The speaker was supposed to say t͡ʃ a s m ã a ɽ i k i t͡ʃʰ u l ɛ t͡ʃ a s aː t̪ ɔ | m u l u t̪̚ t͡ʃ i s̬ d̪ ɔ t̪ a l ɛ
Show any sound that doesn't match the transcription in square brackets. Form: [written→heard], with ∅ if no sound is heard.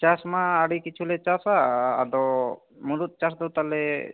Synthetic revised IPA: t͡ʃ a s m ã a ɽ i k i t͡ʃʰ u l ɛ t͡ʃ a s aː [t̪→d̪] ɔ | m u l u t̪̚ t͡ʃ [i→a] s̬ d̪ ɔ t̪ a l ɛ